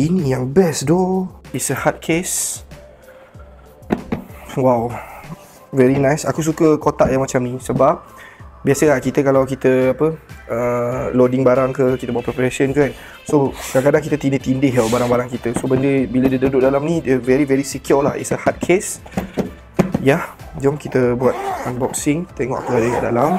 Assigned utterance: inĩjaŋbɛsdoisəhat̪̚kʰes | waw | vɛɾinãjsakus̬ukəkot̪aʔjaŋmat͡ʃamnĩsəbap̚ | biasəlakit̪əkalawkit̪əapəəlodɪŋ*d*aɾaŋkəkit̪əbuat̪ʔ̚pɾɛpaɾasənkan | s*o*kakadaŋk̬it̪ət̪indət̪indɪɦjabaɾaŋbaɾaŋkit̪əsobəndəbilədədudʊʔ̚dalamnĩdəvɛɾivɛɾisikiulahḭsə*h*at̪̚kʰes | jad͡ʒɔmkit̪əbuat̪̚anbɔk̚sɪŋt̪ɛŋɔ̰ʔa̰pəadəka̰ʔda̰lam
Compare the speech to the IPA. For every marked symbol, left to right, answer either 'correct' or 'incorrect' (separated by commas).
incorrect, correct, correct